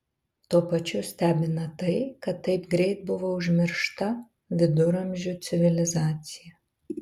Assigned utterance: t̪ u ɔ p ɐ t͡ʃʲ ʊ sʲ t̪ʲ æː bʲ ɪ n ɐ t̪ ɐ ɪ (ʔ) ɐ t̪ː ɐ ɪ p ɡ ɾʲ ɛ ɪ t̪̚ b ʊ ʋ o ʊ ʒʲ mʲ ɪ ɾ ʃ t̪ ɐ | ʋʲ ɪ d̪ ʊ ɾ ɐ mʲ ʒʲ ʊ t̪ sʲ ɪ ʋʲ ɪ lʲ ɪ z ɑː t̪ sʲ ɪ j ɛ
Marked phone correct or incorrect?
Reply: incorrect: k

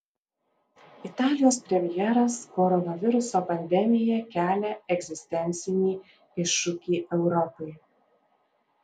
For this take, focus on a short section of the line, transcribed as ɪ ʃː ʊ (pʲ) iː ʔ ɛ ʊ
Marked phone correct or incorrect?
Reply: incorrect: kʲ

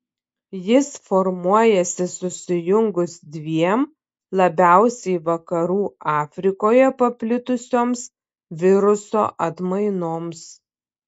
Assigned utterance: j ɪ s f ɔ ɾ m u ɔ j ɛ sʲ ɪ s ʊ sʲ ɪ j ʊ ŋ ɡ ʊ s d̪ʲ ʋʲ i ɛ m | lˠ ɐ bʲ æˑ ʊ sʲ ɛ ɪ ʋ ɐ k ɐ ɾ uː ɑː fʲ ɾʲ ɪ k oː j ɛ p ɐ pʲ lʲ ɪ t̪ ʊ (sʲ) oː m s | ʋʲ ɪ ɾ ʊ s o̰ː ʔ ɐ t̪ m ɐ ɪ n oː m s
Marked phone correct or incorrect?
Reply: correct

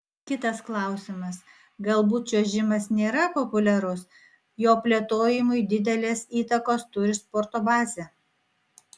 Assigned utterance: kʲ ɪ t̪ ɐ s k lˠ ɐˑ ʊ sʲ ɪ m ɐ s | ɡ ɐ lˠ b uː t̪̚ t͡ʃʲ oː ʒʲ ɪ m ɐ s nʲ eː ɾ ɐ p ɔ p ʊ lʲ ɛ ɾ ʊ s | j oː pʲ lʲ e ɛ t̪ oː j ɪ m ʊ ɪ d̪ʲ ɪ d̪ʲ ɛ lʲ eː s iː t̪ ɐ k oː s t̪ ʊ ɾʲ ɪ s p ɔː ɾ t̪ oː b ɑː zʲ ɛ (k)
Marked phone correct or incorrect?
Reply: incorrect: none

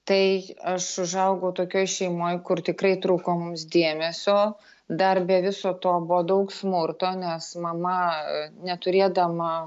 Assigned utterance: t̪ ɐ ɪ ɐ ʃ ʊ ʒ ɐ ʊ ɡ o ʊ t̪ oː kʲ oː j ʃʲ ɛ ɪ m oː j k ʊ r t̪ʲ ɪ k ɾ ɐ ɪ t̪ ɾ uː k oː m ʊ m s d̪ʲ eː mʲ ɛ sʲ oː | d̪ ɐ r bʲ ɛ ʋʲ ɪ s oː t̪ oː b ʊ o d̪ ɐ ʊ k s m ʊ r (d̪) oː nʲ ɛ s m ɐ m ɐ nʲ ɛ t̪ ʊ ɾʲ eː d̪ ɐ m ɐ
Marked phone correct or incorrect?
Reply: incorrect: t̪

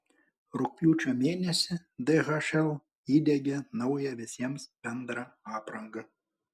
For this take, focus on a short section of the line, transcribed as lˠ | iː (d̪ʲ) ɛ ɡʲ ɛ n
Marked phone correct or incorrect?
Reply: correct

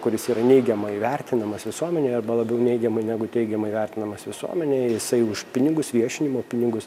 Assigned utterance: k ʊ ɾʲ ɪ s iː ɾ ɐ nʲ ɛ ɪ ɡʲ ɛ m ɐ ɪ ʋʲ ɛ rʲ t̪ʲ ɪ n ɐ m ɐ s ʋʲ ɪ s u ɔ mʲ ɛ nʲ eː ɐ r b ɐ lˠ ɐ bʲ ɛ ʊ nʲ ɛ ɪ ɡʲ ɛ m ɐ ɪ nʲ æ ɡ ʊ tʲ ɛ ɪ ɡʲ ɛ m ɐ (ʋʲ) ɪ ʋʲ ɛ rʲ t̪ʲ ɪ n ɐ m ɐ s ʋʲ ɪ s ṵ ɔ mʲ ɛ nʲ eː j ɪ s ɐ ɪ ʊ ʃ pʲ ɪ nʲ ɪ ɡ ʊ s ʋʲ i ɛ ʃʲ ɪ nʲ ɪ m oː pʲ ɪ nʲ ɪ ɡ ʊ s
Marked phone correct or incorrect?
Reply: incorrect: none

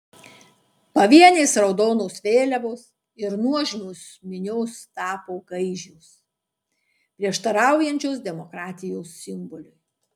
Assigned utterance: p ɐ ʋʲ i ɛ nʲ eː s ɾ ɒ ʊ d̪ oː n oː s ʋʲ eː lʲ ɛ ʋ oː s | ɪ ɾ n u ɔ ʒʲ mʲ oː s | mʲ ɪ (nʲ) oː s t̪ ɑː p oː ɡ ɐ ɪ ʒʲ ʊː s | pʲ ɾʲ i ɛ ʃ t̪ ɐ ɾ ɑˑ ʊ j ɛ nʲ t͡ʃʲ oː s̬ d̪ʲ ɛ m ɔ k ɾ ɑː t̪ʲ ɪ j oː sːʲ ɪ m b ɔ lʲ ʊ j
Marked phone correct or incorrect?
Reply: correct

